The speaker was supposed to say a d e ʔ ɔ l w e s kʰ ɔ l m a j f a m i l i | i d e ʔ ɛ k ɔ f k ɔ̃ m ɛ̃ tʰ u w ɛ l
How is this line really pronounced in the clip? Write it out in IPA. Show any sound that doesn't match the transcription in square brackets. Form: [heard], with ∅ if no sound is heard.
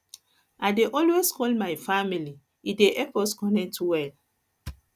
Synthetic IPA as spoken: a d e ʔ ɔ l w e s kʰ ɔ l m a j f a m i l i | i d e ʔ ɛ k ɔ [s] k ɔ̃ [n] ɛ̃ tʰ u w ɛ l